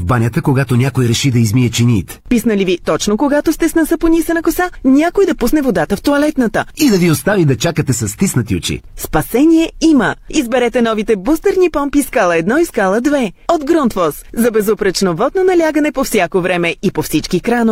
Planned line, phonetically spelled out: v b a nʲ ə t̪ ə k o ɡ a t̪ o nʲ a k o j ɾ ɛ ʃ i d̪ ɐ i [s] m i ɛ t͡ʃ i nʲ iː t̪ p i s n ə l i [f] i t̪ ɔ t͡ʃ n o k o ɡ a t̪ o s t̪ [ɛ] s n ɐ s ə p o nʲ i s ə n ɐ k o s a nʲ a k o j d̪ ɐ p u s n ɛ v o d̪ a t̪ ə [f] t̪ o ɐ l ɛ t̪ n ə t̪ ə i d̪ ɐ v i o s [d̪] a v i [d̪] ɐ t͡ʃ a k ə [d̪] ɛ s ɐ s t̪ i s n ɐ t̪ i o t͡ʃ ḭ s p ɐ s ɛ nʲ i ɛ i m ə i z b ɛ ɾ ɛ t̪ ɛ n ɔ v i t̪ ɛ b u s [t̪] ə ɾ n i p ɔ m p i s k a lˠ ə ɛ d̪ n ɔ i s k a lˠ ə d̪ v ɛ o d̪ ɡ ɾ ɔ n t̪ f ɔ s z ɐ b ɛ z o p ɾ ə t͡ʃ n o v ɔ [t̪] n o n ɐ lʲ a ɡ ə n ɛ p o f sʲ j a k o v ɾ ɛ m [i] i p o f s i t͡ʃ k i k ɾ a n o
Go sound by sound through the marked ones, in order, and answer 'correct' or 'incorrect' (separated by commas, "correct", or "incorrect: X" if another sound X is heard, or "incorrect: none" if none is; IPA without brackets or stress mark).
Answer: incorrect: z, incorrect: v, correct, correct, incorrect: t̪, correct, incorrect: t̪, correct, incorrect: d̪, incorrect: ɛ